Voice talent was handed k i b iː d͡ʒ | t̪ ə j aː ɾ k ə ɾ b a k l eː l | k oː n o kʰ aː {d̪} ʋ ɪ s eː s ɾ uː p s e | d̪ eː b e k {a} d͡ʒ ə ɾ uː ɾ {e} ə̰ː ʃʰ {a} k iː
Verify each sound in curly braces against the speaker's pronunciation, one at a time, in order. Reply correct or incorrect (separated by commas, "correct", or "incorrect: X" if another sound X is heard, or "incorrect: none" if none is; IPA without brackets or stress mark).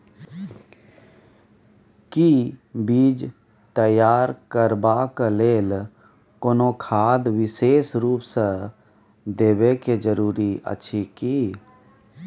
correct, incorrect: e, incorrect: i, incorrect: i